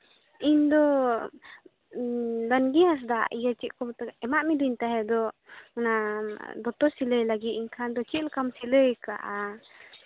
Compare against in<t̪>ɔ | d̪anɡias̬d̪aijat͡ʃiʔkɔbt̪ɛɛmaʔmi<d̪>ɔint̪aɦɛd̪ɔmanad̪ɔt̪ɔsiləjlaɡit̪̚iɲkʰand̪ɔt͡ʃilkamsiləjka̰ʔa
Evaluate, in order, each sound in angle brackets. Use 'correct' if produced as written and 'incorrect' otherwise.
incorrect: d̪, correct

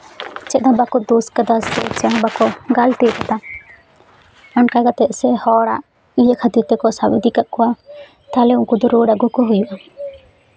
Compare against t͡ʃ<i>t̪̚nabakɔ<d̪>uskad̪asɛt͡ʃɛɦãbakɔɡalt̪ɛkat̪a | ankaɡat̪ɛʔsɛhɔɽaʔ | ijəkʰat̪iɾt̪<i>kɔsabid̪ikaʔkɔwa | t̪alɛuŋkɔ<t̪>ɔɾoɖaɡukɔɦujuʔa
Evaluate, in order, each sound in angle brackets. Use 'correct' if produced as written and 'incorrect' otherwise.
incorrect: ɛ, correct, incorrect: ɛ, incorrect: d̪

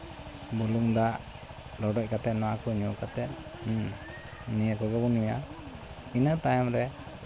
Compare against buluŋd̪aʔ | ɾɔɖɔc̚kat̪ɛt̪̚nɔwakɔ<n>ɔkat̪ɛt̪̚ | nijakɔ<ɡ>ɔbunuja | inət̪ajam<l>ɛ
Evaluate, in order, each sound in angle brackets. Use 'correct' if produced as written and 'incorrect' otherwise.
incorrect: ɲ, correct, incorrect: ɾ

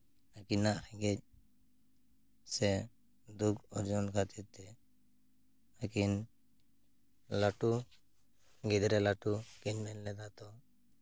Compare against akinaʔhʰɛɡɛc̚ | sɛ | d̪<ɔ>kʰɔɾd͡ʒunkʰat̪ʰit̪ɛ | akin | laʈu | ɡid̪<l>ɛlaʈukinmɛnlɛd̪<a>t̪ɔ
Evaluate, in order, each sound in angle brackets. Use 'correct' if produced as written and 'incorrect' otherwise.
incorrect: u, incorrect: ɾ, correct

